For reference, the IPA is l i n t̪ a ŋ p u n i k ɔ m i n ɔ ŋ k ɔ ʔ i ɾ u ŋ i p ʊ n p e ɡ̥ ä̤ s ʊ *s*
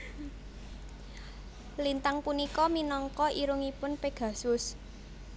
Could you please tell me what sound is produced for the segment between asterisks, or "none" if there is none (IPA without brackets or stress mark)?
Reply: s